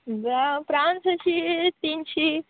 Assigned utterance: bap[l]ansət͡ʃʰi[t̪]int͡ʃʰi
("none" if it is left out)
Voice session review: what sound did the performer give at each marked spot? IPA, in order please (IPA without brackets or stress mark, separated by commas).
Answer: ɾ, t̪